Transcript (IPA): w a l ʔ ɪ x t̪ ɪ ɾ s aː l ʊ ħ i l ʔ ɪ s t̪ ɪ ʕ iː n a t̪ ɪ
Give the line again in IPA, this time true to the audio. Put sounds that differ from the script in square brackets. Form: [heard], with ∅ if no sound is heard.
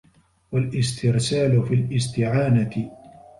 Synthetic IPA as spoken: w a l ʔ ɪ [s] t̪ ɪ ɾ s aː l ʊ [f] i l ʔ ɪ s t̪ ɪ ʕ [aː] n a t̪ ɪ